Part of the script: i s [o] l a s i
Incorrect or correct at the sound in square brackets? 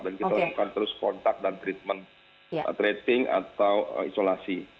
correct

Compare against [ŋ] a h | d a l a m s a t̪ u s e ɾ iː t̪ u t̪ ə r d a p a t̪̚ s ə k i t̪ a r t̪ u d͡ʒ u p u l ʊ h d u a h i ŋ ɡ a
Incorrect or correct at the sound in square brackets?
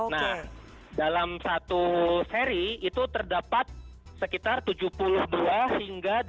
incorrect: n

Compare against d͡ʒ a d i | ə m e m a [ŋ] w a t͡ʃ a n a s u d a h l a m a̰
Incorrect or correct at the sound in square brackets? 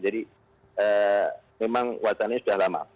correct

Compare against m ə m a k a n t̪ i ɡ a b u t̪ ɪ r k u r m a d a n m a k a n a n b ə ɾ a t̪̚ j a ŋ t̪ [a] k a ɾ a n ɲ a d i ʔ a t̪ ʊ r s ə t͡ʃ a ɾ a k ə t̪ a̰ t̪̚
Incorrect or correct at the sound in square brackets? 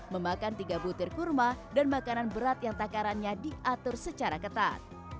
correct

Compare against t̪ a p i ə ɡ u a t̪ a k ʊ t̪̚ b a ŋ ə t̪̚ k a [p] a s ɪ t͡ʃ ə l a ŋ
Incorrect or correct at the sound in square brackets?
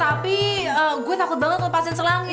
correct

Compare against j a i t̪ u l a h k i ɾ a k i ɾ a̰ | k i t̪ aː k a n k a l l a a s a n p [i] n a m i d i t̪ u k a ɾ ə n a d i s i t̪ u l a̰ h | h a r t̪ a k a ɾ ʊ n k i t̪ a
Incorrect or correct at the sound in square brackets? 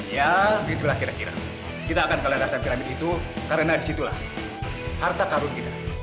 correct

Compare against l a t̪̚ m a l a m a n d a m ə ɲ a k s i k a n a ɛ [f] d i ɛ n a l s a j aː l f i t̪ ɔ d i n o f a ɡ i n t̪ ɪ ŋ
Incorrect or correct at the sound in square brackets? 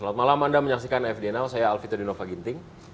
correct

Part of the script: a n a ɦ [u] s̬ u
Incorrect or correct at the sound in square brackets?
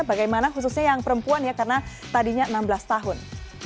correct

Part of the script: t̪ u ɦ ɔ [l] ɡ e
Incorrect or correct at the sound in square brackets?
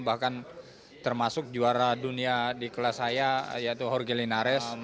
incorrect: r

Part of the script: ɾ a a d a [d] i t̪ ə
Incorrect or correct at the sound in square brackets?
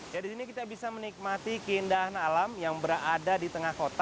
correct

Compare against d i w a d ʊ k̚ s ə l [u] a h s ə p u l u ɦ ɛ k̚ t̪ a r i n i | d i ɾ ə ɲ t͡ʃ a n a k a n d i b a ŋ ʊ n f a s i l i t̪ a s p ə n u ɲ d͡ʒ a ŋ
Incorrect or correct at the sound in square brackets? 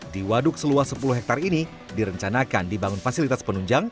correct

